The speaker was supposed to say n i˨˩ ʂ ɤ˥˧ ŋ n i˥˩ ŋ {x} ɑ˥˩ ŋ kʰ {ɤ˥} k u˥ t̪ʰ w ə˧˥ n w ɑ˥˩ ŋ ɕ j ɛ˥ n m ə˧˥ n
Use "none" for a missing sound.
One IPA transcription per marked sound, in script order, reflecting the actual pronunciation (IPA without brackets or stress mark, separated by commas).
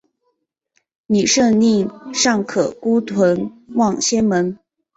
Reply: ʂ, ɤ˨˩